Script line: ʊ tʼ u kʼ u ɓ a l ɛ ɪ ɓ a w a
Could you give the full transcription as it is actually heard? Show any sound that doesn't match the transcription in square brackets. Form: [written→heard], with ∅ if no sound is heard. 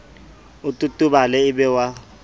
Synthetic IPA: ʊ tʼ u [kʼ→tʼ] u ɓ a l ɛ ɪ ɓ [a→ɛ] w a